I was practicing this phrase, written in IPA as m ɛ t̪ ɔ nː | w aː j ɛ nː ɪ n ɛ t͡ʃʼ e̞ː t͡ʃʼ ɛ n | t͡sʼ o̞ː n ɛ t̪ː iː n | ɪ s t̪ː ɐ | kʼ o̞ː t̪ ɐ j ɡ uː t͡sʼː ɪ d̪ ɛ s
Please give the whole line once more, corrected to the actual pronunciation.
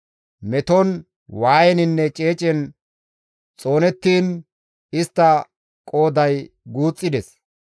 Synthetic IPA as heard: m ɛ t̪ ɔ n | w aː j ɛ n ɪ nː ɛ t͡ʃʼ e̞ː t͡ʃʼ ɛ n | t͡sʼ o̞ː n ɛ t̪ː iː n | ɪ s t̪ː ɐ | kʼ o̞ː d̪ ɐ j ɡ uː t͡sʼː ɪ d̪ ɛ s